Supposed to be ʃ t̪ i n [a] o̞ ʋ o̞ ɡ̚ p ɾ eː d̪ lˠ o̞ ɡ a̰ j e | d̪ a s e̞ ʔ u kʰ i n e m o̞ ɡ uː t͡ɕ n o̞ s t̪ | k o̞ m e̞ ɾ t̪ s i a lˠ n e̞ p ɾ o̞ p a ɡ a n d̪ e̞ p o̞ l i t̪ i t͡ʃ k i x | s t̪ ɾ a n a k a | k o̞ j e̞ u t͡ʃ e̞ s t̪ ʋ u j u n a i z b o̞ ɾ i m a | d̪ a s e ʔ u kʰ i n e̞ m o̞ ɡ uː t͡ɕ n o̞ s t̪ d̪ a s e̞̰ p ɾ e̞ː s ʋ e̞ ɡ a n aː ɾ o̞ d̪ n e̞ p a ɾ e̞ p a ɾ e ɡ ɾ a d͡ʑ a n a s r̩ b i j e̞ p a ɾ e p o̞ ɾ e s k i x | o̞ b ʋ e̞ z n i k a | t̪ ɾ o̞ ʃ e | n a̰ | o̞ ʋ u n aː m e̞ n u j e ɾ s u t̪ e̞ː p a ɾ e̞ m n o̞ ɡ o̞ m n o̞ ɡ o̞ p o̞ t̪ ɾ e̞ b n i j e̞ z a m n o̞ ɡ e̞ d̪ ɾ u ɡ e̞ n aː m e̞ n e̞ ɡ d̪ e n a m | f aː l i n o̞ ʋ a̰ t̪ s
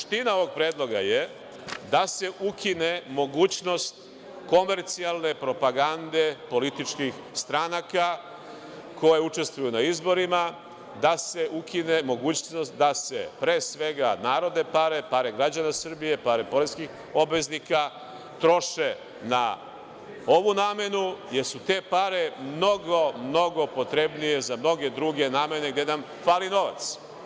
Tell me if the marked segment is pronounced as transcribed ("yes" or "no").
yes